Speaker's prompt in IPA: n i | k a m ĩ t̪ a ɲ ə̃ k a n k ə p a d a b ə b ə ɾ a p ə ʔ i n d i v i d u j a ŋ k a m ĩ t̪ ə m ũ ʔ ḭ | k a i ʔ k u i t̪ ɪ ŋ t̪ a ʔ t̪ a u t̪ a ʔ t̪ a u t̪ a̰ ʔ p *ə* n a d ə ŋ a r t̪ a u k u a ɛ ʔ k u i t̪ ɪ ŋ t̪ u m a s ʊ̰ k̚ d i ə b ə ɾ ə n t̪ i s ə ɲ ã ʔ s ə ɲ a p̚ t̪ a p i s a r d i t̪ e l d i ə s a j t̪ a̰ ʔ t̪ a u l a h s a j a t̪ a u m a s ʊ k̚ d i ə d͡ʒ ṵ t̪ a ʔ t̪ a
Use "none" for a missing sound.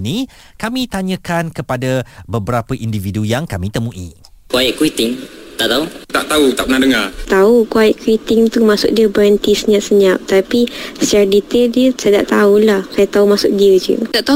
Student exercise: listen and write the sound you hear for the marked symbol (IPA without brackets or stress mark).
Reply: ə